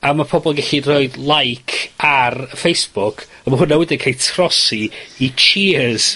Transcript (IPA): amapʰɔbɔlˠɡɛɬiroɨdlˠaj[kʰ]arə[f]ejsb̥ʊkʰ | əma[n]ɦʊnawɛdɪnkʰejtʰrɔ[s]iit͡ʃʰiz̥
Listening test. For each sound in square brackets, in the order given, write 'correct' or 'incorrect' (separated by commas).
correct, correct, incorrect, correct